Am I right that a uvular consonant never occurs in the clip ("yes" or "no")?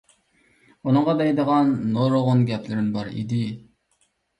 no